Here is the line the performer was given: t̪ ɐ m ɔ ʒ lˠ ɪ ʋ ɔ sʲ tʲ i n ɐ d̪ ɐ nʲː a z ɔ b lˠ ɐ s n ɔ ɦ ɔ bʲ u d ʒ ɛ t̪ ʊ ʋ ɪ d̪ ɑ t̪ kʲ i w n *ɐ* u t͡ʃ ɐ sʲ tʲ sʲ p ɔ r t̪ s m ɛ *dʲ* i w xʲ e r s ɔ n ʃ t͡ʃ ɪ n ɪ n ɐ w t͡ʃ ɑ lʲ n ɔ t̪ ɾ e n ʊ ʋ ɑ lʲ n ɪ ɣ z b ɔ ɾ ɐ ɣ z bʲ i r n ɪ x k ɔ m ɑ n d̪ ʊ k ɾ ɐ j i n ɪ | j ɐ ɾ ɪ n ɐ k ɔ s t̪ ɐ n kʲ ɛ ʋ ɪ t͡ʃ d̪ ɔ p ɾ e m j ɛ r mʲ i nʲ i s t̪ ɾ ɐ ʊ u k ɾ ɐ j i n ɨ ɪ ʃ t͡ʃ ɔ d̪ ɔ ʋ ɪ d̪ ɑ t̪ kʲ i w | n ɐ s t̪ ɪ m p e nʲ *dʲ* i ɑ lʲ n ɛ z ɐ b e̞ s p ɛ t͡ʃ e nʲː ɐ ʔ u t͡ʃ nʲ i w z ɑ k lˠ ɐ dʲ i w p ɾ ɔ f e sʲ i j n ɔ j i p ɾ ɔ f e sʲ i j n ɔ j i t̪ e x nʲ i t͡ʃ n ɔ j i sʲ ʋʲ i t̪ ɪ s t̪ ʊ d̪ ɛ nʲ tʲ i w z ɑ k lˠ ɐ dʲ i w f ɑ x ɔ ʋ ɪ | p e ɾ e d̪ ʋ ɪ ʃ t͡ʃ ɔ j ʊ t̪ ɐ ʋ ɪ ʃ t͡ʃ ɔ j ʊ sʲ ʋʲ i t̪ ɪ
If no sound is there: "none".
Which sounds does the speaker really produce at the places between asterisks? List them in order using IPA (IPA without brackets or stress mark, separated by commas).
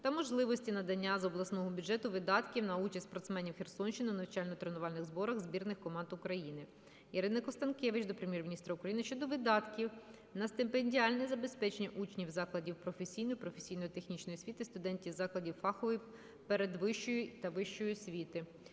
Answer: ɐ, nʲ, dʲ